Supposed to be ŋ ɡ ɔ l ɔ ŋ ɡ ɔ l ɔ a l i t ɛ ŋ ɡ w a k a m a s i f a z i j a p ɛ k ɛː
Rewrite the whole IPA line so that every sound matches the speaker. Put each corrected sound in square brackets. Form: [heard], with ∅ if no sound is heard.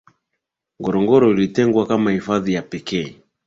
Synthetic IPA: ŋ ɡ ɔ [ɾ] ɔ ŋ ɡ ɔ [ɾ] ɔ [i] l i t ɛ ŋ ɡ w a k a m a [h] i f a [ð] i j a p ɛ k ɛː